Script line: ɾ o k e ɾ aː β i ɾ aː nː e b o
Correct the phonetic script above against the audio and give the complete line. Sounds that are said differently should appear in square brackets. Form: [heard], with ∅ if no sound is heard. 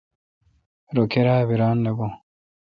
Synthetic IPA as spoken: ɾ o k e ɾ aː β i ɾ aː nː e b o